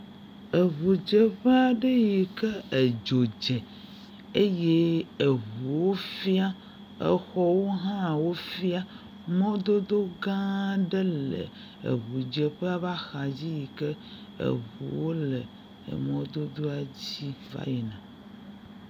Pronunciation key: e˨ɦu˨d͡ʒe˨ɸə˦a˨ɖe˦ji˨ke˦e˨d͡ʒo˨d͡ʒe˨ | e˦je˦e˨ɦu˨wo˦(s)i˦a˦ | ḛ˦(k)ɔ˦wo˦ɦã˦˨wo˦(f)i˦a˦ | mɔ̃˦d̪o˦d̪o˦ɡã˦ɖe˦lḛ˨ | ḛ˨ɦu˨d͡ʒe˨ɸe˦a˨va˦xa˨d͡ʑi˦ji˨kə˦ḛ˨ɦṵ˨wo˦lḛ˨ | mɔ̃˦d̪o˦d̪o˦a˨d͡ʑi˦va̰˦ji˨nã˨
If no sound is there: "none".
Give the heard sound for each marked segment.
f, x, f

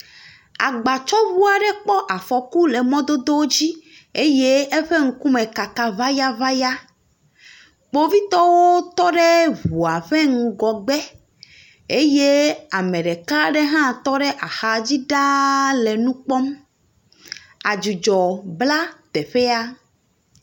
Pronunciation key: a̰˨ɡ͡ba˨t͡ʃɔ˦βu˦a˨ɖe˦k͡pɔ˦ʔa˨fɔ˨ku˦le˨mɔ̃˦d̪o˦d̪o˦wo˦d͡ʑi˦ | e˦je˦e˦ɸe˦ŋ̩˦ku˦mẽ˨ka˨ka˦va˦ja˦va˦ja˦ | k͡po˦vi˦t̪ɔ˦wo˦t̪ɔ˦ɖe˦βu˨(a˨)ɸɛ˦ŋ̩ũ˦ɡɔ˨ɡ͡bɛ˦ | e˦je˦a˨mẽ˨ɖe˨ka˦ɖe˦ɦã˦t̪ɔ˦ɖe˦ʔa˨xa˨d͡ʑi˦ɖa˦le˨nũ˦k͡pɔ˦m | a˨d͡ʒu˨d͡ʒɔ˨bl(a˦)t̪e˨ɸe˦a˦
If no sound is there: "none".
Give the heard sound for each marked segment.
a˨, a˦

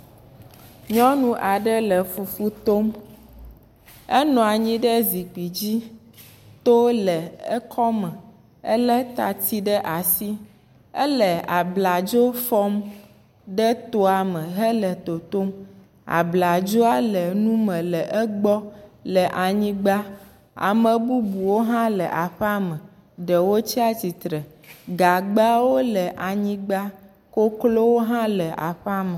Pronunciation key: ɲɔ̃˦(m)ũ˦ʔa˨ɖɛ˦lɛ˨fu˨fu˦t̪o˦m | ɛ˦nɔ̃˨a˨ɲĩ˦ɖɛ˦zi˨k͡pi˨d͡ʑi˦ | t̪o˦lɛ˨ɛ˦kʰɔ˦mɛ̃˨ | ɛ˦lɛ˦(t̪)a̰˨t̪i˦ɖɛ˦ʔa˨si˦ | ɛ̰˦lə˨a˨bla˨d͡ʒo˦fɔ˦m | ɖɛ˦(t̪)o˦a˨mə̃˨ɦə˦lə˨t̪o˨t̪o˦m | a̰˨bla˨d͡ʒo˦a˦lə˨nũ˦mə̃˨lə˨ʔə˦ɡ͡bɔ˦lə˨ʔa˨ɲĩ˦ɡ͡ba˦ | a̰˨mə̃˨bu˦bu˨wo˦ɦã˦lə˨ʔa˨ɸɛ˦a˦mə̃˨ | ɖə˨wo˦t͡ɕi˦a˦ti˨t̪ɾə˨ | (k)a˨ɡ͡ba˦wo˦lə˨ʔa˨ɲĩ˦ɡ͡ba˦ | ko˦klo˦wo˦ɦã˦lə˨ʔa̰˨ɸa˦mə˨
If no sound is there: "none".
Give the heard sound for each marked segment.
n, t̪, t̪, ɡ

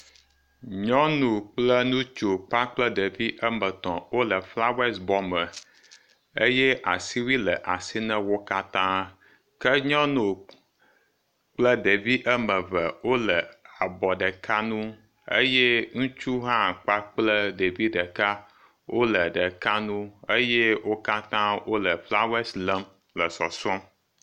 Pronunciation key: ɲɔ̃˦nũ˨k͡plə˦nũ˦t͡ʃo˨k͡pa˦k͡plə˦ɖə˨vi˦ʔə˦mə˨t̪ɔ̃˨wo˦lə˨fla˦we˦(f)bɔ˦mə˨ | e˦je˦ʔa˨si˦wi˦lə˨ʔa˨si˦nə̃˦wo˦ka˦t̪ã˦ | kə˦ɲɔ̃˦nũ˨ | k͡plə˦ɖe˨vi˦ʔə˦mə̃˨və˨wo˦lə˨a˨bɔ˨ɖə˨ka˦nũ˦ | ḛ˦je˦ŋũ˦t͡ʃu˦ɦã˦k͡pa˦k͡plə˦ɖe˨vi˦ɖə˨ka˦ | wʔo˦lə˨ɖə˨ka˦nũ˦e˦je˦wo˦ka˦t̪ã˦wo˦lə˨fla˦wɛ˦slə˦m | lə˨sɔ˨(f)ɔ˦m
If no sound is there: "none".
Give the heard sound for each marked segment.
s, s

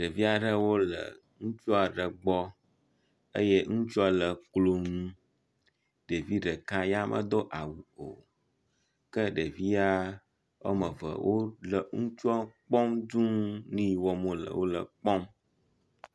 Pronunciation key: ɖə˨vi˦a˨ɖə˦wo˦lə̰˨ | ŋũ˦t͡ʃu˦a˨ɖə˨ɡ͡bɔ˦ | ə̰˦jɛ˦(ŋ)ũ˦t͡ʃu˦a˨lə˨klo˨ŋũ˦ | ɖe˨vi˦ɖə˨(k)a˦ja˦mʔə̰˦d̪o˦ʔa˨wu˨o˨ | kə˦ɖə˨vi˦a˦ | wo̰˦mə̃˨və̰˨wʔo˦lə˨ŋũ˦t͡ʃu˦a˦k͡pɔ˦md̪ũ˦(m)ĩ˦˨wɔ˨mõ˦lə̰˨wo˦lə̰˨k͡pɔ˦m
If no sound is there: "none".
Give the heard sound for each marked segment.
ŋ, k, n

